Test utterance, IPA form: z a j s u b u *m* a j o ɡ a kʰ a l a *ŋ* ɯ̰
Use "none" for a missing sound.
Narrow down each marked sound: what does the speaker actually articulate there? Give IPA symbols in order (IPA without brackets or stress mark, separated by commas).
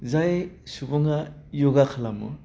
ŋ, m